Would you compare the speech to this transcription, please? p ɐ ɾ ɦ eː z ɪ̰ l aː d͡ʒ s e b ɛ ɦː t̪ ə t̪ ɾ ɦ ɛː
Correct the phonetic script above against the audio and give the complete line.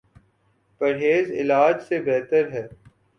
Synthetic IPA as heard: p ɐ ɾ ɦ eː z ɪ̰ l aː d͡ʒ s e b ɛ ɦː t̪ ə ɾ ɦ ɛː